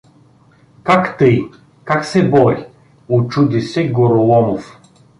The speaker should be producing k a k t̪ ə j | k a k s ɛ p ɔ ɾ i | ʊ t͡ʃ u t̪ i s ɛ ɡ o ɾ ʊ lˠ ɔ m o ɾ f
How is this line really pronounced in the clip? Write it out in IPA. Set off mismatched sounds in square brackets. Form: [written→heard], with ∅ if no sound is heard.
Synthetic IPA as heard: k a k t̪ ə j | k a k s ɛ [p→b] ɔ ɾ i | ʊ t͡ʃ u [t̪→d̪] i s ɛ ɡ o ɾ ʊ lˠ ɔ m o [ɾ→∅] f